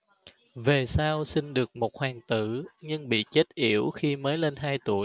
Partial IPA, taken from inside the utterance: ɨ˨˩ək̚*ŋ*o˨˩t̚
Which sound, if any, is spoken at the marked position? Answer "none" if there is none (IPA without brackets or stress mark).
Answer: m